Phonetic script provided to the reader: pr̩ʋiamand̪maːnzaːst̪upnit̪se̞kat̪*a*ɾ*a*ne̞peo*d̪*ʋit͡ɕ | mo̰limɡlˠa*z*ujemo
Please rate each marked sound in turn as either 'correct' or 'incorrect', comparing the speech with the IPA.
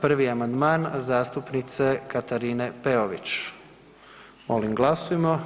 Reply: correct, incorrect: i, incorrect: none, incorrect: s

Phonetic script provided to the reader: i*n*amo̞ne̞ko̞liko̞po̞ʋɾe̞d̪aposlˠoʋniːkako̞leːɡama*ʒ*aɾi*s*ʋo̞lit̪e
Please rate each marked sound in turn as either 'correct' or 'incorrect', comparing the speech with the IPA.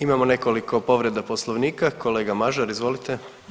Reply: incorrect: m, correct, incorrect: z

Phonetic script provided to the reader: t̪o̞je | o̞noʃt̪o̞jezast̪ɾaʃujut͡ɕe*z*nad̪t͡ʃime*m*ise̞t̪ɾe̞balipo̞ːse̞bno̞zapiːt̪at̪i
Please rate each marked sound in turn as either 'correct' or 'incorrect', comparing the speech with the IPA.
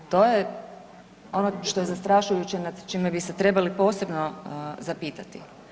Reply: incorrect: none, incorrect: b

